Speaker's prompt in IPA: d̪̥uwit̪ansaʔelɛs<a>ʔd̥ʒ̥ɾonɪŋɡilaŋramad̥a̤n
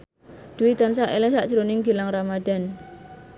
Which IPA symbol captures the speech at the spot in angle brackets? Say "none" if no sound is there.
a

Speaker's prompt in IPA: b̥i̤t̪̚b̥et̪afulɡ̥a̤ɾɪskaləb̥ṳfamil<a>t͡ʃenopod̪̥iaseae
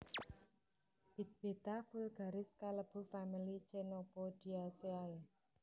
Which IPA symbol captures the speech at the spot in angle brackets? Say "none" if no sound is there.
i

